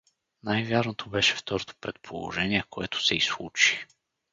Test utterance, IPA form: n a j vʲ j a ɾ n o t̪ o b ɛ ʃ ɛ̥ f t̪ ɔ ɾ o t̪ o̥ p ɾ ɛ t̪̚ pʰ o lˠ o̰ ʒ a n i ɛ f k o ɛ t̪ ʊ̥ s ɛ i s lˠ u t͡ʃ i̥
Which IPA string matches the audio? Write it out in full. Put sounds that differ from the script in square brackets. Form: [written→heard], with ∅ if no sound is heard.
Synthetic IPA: n a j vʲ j a ɾ n o t̪ o b ɛ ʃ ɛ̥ f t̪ ɔ ɾ o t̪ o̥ p ɾ ɛ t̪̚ pʰ o lˠ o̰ ʒ [a→ɛ] n i ɛ [f→∅] k o ɛ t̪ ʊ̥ s ɛ i s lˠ u t͡ʃ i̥